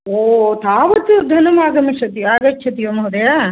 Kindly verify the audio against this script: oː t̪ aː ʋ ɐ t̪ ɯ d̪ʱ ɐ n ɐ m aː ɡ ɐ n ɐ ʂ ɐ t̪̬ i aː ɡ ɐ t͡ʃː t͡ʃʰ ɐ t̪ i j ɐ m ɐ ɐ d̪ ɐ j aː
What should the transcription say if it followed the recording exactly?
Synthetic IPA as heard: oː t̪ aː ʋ ɐ t̪ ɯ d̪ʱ ɐ n ɐ m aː ɡ ɐ m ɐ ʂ ɐ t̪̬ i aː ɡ ɐ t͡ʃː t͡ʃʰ ɐ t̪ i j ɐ m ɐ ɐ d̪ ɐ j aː